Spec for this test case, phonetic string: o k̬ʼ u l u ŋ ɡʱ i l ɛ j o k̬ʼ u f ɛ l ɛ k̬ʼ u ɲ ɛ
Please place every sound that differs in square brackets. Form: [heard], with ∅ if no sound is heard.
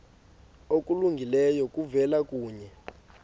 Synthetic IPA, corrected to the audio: o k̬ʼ u l u ŋ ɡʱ i l ɛ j [ɔ] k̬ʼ u [v] ɛ l [a] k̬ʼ [uː] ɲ ɛ